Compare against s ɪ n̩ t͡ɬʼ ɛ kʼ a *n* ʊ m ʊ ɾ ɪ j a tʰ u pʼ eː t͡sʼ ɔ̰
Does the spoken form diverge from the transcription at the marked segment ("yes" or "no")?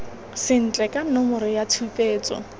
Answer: no